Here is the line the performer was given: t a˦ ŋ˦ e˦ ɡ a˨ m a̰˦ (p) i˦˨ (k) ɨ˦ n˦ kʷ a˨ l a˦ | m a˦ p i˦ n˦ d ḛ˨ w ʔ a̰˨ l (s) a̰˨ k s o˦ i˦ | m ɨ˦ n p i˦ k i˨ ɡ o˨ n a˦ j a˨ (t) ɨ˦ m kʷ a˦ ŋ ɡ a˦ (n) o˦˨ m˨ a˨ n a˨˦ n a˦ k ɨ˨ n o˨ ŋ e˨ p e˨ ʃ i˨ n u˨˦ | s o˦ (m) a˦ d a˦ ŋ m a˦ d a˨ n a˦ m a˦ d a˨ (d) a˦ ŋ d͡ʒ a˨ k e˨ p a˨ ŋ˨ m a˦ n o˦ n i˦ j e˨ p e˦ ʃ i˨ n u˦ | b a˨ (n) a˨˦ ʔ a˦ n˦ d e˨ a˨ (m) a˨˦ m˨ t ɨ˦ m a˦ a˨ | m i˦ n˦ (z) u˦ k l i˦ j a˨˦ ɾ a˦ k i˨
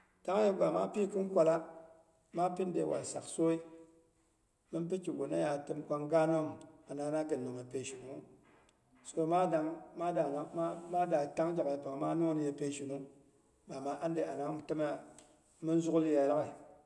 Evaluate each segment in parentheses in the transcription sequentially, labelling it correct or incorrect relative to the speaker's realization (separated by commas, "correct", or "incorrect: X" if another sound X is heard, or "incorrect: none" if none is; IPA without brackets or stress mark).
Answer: correct, correct, correct, correct, correct, correct, incorrect: t, incorrect: m, incorrect: n, correct